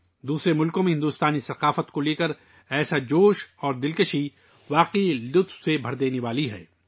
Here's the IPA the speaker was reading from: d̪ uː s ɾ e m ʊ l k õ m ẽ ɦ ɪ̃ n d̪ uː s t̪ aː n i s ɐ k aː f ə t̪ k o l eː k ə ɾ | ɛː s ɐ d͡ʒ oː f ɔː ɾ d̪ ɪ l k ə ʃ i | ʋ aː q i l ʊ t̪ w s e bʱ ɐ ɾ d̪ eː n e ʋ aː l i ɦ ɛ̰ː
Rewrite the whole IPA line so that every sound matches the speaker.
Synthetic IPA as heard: d̪ uː s ɾ e m ʊ l k õ m ẽ ɦ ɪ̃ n d̪ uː s t̪ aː n i s ɐ q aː f ə t̪ k o l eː k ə ɾ | ɛː s a d͡ʒ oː ʃ ɔː ɾ d̪ ɪ l k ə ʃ i | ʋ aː q i l ʊ t̪ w s e bʱ ɐ ɾ d̪ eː n e ʋ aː l i ɦ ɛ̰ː